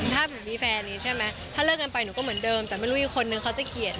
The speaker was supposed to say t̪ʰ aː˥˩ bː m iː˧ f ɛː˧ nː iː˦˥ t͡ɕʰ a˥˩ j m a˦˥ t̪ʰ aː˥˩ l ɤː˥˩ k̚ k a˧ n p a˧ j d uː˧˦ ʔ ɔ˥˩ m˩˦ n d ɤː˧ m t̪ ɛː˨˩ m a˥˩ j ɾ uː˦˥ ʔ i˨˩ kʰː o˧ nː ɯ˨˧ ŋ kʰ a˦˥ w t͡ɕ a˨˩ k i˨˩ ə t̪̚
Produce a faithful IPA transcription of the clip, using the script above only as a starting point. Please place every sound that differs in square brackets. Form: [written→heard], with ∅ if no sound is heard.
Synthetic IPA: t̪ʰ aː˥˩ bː m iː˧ f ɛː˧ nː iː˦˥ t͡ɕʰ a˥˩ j m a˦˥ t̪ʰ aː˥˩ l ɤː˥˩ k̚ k a˧ n p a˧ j [d→n] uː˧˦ [ʔ→k] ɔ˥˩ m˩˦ n d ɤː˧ m t̪ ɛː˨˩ m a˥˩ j ɾ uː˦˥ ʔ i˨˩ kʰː o˧ nː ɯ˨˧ ŋ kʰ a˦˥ w t͡ɕ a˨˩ k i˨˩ ə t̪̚